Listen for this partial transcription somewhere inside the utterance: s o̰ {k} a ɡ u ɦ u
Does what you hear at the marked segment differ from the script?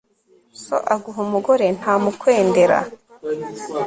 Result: yes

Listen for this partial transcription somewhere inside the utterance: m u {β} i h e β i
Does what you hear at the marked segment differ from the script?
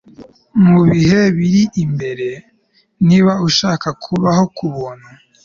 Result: no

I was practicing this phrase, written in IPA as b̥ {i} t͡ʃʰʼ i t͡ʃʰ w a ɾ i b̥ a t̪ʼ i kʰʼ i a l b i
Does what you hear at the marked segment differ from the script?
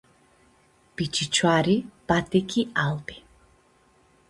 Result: no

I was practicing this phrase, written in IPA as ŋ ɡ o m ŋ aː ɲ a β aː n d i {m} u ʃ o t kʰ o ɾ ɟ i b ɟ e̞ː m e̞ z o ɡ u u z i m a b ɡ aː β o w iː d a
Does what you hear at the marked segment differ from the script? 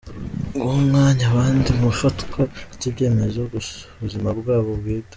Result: no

